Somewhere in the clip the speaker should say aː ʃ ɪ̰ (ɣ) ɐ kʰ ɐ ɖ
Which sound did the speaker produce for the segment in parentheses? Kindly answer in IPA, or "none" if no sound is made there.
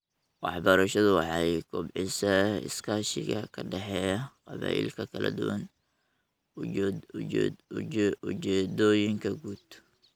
ɣ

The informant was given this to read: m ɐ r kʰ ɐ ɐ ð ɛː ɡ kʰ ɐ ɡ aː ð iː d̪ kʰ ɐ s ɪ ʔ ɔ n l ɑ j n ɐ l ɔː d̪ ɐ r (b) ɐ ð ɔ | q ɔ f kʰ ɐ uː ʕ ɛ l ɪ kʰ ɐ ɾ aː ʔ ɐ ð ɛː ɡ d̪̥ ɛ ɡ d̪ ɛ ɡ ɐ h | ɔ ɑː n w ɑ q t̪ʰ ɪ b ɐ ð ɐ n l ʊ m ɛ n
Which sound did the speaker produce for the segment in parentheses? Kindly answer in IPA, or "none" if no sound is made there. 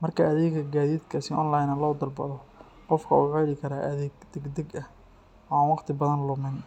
b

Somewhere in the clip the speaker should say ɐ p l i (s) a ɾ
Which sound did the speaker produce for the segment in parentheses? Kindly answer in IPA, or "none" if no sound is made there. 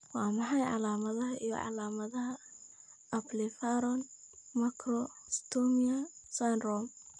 f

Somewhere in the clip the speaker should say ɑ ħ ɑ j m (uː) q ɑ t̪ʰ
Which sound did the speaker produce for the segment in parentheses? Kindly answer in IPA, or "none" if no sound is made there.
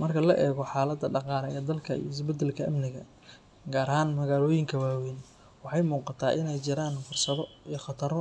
uː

